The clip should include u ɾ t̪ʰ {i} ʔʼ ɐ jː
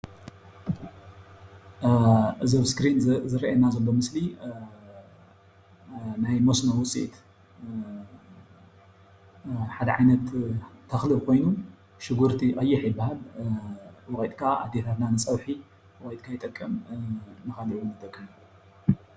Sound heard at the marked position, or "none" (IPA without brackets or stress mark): i